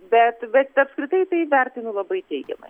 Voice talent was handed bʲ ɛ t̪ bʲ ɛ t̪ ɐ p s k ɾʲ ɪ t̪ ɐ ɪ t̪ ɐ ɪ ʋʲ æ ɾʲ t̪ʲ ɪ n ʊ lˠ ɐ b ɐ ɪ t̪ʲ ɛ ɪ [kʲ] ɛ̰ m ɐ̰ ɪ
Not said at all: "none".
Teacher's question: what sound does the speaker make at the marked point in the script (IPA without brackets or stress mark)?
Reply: ɡʲ